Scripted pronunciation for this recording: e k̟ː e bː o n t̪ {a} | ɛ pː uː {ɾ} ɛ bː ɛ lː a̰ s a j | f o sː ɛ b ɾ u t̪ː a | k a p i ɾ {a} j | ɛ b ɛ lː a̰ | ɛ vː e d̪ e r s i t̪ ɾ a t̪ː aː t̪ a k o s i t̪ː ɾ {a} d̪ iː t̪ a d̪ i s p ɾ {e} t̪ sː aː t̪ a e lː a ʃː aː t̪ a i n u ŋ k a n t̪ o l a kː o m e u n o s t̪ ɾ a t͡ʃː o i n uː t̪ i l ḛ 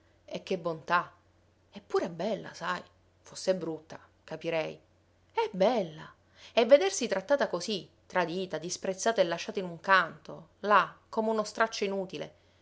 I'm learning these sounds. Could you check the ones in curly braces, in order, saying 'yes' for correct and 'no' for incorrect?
yes, yes, no, yes, yes

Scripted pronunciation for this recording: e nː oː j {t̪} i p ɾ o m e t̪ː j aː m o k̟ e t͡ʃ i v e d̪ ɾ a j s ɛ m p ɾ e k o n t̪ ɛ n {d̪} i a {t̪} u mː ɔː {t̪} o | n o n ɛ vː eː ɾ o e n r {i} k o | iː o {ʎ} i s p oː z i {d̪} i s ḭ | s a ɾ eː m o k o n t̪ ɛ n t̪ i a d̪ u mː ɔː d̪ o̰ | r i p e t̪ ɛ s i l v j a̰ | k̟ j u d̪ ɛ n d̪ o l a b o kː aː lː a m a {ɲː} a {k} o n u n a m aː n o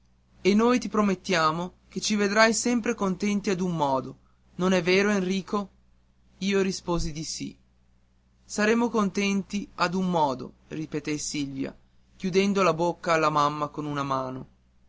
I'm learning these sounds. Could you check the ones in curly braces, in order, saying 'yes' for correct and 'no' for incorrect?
yes, no, no, no, no, no, yes, no, yes

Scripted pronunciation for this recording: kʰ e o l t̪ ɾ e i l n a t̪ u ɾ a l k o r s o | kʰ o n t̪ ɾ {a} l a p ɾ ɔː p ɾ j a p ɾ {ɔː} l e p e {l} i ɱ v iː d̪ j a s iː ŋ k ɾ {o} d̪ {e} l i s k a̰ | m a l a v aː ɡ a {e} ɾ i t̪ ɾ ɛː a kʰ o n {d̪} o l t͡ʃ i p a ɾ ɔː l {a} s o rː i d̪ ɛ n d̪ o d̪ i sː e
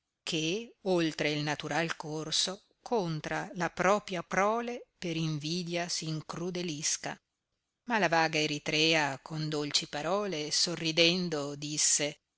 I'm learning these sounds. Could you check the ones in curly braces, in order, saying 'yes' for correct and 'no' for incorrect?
yes, yes, no, no, yes, yes, yes, no

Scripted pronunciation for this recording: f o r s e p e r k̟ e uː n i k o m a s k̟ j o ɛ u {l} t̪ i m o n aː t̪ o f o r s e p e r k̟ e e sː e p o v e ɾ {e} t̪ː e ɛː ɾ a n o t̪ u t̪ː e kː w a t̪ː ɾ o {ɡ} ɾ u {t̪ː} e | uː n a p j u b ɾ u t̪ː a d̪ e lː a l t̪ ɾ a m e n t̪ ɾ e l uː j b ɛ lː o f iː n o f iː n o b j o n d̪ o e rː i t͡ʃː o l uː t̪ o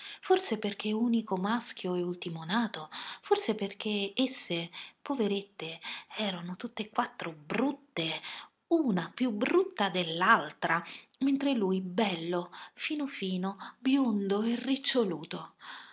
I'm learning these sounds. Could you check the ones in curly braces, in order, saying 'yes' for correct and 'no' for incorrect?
yes, yes, no, yes

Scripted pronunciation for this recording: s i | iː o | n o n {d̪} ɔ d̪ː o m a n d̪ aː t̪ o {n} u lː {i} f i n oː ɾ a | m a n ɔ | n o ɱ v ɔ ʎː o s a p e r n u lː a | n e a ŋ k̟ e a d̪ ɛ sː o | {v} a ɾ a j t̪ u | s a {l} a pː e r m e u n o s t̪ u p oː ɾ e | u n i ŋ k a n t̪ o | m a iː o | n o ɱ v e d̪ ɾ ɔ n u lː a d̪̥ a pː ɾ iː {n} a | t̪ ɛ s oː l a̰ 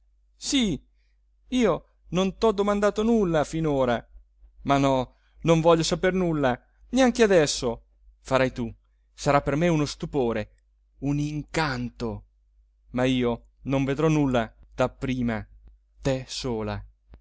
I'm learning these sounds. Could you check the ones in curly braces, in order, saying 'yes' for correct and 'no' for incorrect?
no, yes, no, no, no, no

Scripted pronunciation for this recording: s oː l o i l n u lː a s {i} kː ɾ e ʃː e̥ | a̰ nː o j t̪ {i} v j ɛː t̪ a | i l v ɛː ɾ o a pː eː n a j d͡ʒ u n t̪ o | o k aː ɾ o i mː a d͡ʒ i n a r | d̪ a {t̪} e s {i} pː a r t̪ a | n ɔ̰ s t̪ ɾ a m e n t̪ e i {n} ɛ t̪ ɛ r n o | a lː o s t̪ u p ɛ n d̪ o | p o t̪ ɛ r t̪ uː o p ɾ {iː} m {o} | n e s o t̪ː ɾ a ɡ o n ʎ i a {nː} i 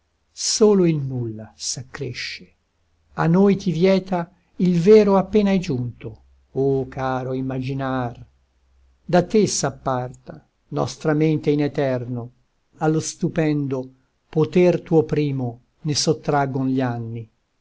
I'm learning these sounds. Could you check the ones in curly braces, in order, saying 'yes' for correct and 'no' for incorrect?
no, yes, yes, no, yes, yes, yes, yes

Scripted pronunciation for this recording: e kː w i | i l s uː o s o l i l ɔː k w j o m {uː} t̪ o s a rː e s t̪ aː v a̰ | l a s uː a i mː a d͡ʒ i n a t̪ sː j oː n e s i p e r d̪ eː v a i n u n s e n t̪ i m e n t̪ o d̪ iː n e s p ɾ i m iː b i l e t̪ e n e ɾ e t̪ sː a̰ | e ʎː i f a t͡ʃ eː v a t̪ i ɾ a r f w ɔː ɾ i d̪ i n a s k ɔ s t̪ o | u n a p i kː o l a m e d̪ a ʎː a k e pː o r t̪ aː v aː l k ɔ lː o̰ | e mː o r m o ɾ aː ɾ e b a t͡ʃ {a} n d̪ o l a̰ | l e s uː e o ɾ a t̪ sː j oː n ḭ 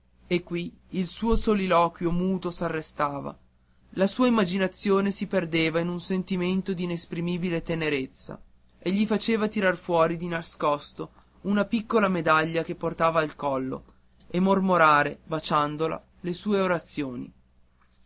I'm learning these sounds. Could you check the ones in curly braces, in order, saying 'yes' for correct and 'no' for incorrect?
yes, yes

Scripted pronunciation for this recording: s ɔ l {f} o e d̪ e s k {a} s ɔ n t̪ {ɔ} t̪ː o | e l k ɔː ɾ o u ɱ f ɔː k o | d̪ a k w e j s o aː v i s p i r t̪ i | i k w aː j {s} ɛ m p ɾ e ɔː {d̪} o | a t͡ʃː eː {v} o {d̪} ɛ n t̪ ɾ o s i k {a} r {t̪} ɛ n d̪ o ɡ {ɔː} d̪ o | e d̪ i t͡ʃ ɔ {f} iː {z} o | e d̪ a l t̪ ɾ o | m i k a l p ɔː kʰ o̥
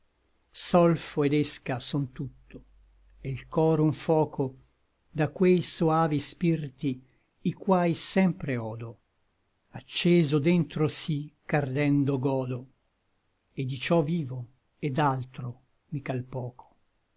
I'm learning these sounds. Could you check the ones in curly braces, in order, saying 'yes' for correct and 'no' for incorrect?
yes, yes, no, yes, yes, no, yes, yes, no, yes, no, no

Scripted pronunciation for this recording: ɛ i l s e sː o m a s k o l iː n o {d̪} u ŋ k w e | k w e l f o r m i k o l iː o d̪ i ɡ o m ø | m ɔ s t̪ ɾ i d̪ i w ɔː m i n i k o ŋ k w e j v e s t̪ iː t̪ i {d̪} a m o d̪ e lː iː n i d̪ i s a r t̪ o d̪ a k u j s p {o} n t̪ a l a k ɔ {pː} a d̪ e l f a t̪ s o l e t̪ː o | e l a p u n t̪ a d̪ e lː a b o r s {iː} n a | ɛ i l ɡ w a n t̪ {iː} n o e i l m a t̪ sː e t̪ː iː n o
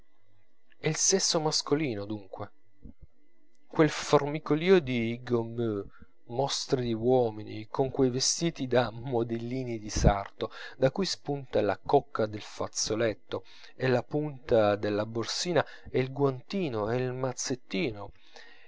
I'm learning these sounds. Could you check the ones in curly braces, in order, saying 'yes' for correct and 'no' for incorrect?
yes, yes, no, no, yes, yes

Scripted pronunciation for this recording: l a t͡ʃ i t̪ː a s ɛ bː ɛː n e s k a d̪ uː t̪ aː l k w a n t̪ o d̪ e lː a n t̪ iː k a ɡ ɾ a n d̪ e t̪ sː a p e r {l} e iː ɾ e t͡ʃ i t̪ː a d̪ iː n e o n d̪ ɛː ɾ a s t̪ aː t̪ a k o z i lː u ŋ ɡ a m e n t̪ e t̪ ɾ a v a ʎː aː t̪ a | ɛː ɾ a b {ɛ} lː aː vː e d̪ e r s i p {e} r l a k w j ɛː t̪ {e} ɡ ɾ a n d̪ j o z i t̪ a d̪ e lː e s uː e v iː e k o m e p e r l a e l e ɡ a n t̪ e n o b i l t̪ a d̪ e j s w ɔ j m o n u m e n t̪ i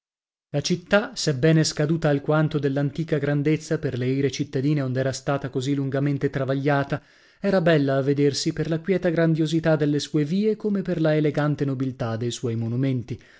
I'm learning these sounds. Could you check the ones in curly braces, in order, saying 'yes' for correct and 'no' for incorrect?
yes, yes, yes, no

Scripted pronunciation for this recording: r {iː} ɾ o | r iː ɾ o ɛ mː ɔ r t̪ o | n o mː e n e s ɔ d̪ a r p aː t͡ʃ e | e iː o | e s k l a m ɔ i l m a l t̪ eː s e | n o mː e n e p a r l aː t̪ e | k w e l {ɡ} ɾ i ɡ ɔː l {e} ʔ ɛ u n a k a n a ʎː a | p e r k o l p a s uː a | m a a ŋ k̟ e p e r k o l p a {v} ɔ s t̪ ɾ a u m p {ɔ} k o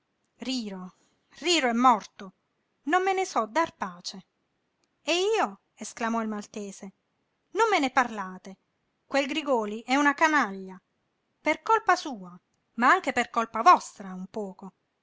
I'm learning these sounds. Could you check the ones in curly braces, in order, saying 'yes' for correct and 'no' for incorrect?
yes, yes, no, yes, no

